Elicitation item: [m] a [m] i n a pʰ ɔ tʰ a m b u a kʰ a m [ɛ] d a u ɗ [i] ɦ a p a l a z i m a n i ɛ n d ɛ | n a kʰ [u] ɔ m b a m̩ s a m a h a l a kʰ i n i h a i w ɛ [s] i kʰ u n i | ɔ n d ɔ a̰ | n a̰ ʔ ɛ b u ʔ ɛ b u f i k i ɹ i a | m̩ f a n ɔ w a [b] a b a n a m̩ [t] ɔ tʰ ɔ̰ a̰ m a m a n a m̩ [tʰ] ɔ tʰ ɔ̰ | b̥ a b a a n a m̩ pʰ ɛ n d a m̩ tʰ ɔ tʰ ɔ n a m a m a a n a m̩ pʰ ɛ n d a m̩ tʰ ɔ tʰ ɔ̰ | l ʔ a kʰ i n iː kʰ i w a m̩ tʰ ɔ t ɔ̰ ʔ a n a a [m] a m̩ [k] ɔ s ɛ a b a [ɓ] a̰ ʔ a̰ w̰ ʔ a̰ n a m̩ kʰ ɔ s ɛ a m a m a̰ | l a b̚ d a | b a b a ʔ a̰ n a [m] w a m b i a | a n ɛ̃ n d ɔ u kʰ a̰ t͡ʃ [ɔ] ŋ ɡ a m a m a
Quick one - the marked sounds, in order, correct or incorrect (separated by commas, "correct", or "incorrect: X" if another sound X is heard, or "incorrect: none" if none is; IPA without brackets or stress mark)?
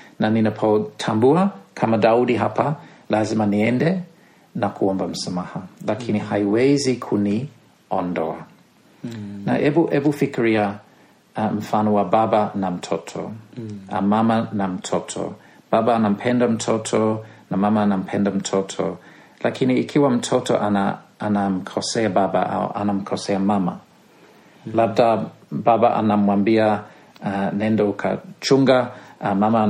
incorrect: n, incorrect: n, incorrect: a, correct, correct, incorrect: z, correct, incorrect: tʰ, correct, incorrect: n, incorrect: kʰ, incorrect: b, correct, incorrect: u